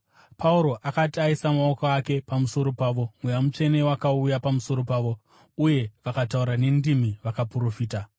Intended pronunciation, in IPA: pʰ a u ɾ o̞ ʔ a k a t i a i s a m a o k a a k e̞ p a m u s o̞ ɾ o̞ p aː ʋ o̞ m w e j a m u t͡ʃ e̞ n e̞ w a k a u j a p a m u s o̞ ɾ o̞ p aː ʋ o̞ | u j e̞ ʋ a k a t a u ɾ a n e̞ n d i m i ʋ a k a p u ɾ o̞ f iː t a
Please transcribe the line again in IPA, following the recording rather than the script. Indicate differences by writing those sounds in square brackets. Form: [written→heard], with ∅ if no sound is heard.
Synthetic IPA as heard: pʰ a u ɾ o̞ ʔ a k a t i a i s a m a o k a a k e̞ p a m u s o̞ ɾ o̞ p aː ʋ o̞ m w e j a m u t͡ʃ e̞ n e̞ w a k a u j a p a m u s o̞ ɾ o̞ p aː ʋ o̞ | u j e̞ ʋ a k a t a u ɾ a n e̞ n d i m i ʋ a k a p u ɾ o̞ f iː t a